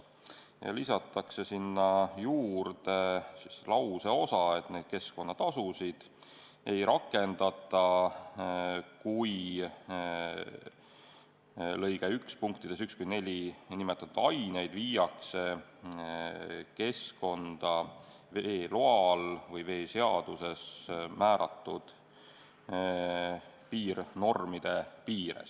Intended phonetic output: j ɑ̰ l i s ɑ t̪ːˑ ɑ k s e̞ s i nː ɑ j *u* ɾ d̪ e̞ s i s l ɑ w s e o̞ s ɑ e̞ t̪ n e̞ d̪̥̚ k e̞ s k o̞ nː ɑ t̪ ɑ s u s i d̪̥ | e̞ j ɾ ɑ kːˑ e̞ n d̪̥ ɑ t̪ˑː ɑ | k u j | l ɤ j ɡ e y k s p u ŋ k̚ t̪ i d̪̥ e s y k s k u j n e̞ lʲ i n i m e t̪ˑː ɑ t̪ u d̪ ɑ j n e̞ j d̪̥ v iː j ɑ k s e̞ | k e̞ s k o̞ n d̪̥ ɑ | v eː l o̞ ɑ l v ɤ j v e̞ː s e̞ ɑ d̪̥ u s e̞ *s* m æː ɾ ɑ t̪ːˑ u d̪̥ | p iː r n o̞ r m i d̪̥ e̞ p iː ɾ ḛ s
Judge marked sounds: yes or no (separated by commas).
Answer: no, yes